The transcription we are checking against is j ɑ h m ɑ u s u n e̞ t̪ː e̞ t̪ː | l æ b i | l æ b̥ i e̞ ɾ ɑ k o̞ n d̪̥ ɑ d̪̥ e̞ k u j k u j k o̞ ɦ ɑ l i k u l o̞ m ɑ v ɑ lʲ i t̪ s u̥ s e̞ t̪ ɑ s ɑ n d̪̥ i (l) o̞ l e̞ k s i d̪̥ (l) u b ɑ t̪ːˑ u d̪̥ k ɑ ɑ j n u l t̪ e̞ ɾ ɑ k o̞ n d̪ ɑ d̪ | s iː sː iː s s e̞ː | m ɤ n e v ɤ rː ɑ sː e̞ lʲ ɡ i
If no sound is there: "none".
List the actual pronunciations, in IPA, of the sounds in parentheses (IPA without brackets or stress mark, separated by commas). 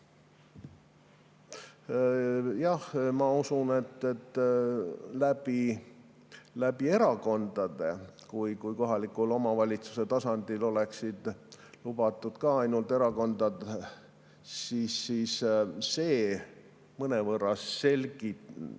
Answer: l, l